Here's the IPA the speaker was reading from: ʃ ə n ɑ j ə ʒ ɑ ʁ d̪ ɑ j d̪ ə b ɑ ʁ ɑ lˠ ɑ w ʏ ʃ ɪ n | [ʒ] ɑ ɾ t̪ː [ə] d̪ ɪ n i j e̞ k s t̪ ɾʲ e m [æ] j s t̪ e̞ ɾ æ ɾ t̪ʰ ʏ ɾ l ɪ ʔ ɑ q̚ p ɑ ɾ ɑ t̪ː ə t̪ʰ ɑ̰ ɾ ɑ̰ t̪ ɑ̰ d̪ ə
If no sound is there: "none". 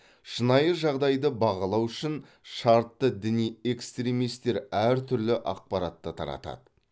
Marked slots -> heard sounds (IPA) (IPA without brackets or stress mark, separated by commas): ʃ, ə, i